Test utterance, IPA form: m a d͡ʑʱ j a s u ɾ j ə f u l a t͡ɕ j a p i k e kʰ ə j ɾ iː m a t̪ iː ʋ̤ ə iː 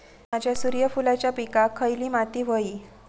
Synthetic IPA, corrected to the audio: m a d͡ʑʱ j a s u ɾ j ə f u l a t͡ɕ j a p i k a kʰ ə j l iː m a t̪ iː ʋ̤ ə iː